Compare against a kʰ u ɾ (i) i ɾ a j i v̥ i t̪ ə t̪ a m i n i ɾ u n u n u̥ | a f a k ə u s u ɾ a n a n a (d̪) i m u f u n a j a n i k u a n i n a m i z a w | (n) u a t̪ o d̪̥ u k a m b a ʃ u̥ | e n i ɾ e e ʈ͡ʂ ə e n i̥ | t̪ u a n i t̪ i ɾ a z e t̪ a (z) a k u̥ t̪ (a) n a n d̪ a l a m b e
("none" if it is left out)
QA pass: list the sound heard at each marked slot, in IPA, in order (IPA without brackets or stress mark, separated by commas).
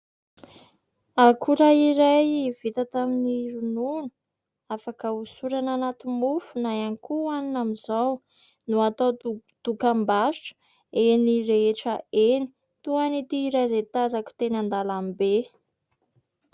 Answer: a, t̪, n, z, e